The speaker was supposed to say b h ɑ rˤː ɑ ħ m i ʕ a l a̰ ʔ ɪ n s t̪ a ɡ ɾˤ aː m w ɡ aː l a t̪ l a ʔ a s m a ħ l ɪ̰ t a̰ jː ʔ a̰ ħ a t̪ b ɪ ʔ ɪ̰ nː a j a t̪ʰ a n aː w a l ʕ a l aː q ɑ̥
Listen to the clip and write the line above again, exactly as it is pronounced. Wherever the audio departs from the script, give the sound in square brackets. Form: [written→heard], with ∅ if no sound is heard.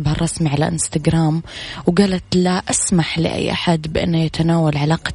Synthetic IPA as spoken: b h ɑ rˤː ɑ [ħ→s] m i ʕ a l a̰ ʔ ɪ n s t̪ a ɡ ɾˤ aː m w ɡ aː l a t̪ l a ʔ a s m a ħ l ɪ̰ [t→ʔ] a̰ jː ʔ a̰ ħ a [t̪→d̪] b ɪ ʔ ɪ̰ nː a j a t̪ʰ a n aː w a l ʕ a l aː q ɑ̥